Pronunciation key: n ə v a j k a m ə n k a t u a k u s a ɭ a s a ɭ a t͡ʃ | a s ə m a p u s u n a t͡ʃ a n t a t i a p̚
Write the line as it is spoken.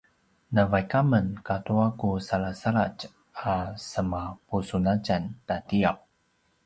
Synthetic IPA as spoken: n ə v a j k a m ə n k a t u a k u s a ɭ a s a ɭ a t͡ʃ | a s ə m a p u s u n a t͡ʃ a n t a t i a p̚